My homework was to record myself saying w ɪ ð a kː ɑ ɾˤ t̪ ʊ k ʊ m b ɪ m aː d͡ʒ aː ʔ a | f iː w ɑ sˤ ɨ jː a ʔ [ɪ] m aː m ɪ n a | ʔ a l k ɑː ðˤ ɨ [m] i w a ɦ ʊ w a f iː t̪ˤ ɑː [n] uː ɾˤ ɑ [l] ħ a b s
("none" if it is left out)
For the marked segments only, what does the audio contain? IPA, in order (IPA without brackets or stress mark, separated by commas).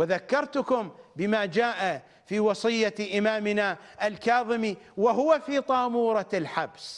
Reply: ɪ, m, m, l